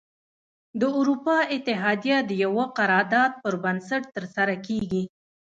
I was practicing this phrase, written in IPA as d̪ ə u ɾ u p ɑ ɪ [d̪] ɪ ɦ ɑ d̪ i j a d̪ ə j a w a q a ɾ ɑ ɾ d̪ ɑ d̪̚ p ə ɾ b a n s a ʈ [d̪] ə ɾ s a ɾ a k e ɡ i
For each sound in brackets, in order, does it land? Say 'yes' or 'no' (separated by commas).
no, no